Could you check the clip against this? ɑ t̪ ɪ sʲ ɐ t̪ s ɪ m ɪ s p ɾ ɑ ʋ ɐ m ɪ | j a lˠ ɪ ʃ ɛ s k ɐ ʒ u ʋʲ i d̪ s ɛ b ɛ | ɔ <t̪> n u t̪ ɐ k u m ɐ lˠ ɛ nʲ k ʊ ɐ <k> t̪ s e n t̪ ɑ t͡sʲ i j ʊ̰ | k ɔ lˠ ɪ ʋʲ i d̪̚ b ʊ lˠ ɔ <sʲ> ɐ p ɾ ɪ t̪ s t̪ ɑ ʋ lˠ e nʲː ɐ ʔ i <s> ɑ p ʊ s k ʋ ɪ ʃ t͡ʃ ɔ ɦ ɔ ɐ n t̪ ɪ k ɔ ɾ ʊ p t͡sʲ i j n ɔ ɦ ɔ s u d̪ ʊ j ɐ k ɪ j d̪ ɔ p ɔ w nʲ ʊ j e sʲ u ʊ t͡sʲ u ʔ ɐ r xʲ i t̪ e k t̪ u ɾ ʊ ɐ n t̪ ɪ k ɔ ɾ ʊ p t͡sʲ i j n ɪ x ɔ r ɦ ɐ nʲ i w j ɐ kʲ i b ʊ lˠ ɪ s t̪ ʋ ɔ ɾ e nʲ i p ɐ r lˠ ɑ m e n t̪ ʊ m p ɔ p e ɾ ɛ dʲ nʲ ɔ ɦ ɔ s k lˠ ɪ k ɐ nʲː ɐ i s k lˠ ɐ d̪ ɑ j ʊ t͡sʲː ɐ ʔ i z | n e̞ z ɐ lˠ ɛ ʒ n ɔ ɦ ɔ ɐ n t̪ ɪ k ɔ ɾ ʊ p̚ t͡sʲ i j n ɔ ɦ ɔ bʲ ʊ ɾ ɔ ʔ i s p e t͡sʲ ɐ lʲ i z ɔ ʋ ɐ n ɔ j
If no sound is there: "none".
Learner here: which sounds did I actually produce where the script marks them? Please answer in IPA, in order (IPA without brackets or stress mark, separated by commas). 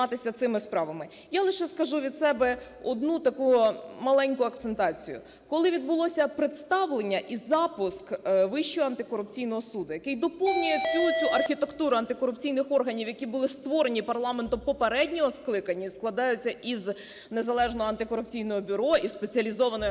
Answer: d̪, k, sʲ, z